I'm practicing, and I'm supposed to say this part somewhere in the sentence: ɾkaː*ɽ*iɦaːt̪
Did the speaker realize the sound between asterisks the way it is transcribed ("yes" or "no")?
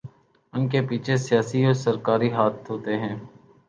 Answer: no